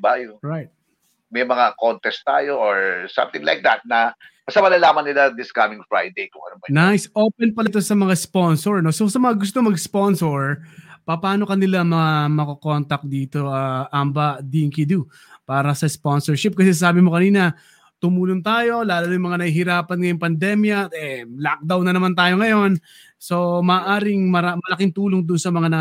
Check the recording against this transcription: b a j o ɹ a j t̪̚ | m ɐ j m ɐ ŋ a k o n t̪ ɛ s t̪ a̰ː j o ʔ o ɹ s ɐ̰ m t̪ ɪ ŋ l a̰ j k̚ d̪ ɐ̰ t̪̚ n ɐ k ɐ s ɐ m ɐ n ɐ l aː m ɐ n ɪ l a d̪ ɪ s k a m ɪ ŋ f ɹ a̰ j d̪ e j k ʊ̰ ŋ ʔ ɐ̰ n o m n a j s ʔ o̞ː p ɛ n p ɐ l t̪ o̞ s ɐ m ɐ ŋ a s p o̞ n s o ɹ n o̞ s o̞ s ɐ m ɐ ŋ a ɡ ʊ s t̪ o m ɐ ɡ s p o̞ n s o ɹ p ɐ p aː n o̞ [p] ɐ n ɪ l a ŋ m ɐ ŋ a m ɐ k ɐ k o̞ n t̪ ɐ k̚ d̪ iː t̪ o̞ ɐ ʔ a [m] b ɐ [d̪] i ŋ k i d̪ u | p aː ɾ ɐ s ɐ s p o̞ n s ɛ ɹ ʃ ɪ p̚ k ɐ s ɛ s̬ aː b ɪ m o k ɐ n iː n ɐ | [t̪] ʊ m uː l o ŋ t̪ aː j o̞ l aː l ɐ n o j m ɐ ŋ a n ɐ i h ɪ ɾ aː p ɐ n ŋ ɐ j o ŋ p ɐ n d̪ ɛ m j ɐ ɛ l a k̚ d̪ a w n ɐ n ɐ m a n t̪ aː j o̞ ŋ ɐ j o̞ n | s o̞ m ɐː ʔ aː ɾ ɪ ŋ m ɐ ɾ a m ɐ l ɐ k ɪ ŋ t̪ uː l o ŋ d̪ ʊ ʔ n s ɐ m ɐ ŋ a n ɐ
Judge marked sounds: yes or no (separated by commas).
no, yes, yes, yes